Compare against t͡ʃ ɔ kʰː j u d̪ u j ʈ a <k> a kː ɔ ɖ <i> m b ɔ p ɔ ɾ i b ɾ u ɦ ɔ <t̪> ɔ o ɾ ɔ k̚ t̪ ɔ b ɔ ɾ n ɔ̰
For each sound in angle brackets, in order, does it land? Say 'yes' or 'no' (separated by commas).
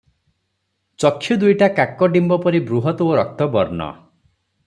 yes, yes, yes